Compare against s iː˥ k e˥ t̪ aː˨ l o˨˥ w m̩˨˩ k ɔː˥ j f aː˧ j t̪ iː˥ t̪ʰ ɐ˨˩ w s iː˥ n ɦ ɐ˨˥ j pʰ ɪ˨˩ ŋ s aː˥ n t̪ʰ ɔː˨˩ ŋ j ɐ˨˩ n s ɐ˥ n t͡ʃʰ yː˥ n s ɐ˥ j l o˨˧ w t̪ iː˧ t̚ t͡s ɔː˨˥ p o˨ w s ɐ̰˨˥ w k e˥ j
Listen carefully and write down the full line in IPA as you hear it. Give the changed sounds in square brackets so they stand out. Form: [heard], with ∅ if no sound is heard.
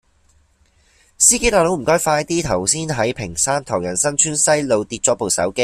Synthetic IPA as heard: s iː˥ k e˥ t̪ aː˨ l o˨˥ w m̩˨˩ k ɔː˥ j f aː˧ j t̪ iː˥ t̪ʰ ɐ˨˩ w s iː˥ n ɦ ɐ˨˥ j pʰ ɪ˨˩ ŋ s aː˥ n t̪ʰ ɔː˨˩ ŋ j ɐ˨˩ n s ɐ˥ n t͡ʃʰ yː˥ n s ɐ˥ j l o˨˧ w t̪ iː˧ t̚ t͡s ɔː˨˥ p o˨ w s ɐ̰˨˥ w k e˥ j